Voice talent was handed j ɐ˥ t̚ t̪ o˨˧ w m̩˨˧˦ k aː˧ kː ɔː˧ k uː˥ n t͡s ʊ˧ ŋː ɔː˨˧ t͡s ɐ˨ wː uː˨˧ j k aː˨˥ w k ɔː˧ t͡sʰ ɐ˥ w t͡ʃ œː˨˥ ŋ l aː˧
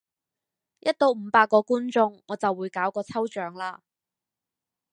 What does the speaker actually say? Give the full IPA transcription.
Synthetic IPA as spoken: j ɐ˥ t̚ t̪ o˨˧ w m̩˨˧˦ p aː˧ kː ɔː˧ k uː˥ n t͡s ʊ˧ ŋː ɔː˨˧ t͡s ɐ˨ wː uː˨˧ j k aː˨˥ w k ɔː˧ t͡sʰ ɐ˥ w t͡ʃ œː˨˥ ŋ l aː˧